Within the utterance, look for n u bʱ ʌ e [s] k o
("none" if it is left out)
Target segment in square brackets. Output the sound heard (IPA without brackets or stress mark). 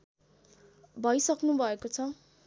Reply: none